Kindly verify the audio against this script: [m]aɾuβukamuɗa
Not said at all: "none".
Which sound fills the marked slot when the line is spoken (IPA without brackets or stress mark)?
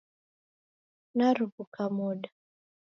n